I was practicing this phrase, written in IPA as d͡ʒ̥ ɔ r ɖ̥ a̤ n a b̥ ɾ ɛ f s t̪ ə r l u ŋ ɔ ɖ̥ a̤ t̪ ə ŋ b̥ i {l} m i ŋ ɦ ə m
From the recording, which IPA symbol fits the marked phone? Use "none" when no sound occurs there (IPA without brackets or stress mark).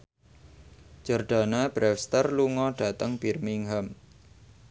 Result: r